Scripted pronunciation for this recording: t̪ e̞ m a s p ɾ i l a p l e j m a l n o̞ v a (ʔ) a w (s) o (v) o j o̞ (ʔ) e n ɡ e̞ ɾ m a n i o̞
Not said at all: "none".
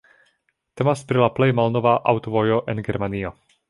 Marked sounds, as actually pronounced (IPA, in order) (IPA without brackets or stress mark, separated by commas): ʔ, t, v, ʔ